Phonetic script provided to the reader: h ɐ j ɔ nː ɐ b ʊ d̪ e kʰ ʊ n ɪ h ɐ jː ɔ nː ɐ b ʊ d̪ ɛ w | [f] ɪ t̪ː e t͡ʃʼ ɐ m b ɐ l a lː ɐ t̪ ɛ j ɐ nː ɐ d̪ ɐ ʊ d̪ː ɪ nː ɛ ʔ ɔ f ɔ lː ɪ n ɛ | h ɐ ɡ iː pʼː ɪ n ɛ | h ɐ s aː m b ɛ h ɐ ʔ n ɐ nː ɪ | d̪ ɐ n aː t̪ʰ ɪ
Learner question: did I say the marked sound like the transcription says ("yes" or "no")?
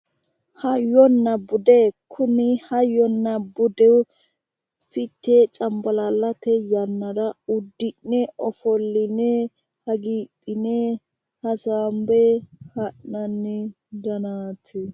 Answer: yes